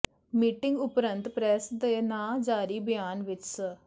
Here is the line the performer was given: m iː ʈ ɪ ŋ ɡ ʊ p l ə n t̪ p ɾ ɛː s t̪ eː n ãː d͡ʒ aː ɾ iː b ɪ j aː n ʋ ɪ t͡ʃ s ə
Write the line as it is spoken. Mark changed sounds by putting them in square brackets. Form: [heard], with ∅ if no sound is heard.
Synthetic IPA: m iː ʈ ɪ ŋ ɡ ʊ p [ɾ] ə n t̪ p ɾ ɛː s [d̪] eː n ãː d͡ʒ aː ɾ iː b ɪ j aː n ʋ ɪ t͡ʃ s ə